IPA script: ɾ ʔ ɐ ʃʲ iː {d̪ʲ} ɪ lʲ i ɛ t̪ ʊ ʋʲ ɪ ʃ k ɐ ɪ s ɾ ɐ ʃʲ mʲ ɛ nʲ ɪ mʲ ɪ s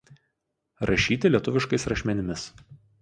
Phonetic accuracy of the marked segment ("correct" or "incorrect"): incorrect